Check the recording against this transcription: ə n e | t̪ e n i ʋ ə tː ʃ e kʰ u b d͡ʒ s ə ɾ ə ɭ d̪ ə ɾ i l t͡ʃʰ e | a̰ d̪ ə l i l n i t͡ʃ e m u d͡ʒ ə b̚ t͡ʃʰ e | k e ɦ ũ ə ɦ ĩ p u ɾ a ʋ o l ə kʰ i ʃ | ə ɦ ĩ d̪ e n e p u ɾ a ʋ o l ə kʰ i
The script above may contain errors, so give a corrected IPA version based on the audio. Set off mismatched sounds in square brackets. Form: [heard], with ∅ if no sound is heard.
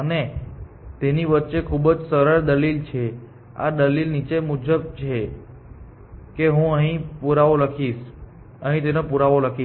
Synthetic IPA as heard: ə n e | t̪ e n i ʋ ə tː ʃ e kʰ u b d͡ʒ s ə ɾ ə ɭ d̪ ə [l] i l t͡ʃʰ e | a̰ d̪ ə l i l n i t͡ʃ e m u d͡ʒ ə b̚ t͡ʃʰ e | k e ɦ ũ ə ɦ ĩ p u ɾ a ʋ o l ə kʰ i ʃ | ə ɦ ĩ [t̪] e n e p u ɾ a ʋ o l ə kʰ i